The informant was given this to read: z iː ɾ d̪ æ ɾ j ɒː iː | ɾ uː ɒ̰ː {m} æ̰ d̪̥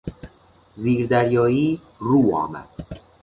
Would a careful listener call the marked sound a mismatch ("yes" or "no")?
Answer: no